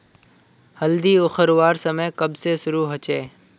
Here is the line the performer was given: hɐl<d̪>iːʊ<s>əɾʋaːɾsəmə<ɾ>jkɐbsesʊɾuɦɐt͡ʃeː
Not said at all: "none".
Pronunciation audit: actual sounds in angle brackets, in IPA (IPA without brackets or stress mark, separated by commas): d̪, x, none